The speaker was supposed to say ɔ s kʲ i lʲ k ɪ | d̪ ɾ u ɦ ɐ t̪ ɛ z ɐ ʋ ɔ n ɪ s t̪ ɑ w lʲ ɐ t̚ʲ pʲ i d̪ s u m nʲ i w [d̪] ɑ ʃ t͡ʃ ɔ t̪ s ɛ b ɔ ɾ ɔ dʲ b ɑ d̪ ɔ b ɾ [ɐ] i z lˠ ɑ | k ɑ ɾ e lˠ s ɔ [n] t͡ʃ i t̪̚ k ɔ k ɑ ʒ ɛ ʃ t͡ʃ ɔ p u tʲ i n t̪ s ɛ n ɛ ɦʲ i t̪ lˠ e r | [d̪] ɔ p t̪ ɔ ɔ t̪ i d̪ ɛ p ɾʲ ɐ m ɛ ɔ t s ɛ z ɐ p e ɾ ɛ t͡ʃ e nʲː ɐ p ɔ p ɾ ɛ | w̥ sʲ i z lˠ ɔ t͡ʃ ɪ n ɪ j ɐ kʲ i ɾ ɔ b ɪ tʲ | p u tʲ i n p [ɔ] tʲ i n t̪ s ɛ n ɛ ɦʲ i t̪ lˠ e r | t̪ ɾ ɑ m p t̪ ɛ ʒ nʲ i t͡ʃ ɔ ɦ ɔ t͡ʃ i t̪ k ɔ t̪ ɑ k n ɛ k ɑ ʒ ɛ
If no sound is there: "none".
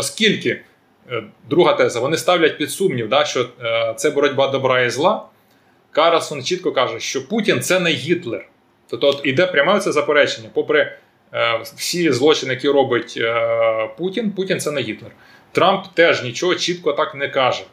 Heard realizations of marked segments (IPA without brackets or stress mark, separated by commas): d̪, ɑ, n, t̪, u